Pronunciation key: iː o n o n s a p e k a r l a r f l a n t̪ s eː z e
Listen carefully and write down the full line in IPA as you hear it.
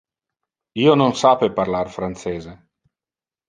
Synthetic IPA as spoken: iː o n o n s a p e p a r l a r f ɾ a n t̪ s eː z e